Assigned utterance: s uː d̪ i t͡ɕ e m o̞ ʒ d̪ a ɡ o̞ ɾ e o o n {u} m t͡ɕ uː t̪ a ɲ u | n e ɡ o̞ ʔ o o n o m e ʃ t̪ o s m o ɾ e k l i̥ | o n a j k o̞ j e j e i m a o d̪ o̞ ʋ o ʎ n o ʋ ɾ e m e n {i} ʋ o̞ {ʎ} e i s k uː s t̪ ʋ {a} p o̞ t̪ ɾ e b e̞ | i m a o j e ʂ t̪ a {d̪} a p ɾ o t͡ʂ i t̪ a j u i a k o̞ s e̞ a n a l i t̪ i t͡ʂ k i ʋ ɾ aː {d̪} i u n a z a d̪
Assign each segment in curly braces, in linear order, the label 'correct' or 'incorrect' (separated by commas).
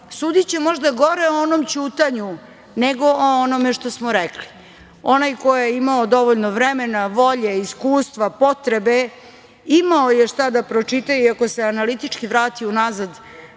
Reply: incorrect, incorrect, correct, correct, correct, incorrect